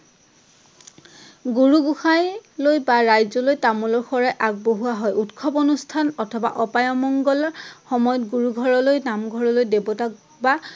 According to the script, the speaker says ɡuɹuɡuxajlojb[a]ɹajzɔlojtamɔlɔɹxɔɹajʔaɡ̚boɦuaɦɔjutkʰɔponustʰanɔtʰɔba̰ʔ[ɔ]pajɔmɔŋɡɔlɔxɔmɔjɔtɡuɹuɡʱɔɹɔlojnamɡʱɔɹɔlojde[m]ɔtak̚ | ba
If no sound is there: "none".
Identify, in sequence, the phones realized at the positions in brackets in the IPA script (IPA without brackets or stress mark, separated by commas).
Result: a, ɔ, b